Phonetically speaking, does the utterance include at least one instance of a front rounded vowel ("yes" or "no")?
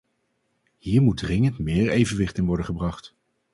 no